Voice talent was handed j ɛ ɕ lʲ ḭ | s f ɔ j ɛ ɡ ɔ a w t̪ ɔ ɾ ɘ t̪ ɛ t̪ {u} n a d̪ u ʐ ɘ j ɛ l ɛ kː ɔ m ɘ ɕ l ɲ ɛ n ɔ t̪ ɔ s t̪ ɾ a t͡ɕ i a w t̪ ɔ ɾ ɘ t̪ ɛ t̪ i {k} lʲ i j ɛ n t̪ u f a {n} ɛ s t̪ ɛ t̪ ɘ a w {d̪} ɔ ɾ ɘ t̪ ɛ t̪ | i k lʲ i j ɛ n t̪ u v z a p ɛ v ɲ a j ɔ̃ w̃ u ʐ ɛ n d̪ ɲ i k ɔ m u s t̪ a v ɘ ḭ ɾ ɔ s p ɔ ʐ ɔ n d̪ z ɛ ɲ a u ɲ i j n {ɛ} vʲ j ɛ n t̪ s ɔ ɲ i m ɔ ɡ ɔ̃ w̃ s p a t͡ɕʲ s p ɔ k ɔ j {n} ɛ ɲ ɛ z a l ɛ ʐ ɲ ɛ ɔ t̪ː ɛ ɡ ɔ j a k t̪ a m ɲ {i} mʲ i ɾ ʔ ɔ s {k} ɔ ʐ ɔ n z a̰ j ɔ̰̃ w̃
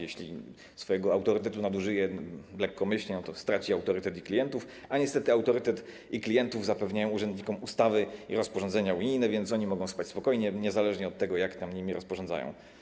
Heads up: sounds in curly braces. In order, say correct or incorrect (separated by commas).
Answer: correct, correct, incorrect, incorrect, correct, incorrect, correct, incorrect